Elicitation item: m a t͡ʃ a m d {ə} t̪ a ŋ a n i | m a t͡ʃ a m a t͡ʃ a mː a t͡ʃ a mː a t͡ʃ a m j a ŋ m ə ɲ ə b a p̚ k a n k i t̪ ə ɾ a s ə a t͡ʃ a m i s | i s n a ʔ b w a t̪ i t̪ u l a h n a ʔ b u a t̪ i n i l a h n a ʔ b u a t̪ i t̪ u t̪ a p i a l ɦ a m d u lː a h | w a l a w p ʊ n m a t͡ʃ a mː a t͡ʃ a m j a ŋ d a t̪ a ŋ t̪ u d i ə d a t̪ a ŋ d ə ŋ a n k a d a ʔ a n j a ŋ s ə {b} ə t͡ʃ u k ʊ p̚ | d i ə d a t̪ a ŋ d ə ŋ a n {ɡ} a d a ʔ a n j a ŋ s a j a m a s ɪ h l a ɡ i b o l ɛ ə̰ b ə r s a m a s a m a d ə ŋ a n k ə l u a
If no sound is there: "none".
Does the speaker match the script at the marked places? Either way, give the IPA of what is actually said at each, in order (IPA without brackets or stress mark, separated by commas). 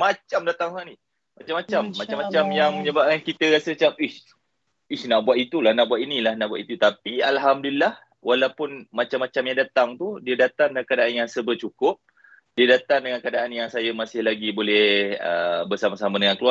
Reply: a, b, k